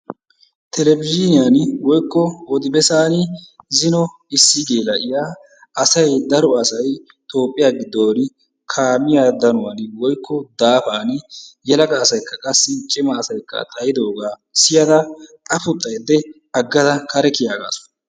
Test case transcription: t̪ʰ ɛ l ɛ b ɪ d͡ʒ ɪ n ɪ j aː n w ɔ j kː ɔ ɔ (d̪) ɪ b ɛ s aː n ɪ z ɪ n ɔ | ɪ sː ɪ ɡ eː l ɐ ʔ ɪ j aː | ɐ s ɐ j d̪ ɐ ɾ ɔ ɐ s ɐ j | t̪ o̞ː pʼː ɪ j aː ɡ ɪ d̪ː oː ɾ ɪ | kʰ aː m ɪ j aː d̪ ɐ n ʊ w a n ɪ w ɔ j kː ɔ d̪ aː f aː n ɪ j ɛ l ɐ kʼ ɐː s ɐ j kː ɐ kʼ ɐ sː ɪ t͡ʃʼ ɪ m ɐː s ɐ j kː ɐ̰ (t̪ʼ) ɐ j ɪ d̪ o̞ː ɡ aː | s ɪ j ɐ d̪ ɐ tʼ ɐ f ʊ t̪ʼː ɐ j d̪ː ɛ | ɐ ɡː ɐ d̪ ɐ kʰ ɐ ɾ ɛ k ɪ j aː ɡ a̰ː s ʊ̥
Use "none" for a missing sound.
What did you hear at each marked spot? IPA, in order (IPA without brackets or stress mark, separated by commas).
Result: d̪, t̪ʼ